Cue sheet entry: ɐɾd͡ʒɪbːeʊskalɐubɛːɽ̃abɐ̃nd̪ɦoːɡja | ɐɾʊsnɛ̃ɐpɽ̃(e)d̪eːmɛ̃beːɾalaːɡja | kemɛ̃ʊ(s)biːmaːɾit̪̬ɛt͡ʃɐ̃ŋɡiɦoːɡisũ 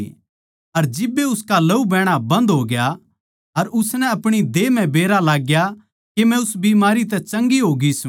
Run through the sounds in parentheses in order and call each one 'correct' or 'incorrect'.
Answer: incorrect: i, correct

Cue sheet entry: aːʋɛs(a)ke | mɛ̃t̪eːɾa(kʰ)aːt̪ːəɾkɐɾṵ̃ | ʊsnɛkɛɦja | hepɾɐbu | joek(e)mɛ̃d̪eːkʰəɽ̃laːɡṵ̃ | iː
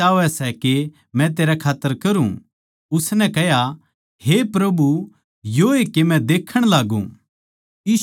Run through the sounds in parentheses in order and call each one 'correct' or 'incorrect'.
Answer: incorrect: ɛ, correct, correct

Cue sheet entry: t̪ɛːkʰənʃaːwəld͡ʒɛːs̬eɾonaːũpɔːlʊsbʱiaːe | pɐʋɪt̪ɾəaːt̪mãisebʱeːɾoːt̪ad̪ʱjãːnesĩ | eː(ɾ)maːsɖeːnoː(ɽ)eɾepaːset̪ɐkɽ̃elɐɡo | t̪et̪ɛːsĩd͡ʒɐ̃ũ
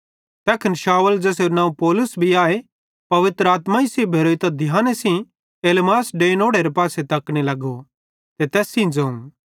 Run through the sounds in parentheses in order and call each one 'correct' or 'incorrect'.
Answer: incorrect: l, correct

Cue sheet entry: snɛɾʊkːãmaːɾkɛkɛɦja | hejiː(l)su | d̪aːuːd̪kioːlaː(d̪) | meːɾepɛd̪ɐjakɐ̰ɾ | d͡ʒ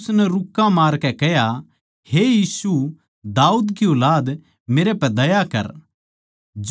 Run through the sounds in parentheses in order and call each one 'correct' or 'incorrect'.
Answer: incorrect: none, correct

